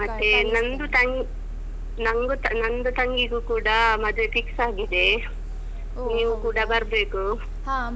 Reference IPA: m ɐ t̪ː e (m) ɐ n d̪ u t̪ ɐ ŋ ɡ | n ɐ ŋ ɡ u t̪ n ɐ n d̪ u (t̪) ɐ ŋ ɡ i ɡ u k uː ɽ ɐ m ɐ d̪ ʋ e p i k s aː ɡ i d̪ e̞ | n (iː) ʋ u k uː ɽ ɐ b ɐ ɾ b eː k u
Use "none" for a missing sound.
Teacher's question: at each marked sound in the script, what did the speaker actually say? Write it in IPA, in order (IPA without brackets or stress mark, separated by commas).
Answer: n, t̪, iː